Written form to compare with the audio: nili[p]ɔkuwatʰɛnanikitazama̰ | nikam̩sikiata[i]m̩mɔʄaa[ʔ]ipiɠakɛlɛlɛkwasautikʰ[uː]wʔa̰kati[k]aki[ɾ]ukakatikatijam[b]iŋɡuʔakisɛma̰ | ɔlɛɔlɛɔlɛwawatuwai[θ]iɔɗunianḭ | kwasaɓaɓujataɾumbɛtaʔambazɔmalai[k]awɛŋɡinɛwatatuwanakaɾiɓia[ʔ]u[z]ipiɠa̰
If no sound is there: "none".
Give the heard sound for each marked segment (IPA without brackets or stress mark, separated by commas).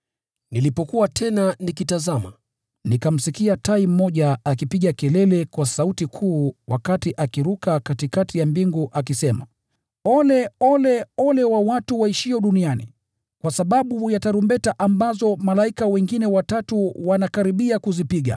p, i, k, uː, ʔ, ɾ, b, ʃ, k, k, z